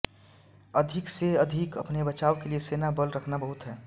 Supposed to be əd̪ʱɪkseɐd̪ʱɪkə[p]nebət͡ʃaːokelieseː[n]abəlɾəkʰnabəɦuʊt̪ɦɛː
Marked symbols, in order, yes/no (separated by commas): yes, yes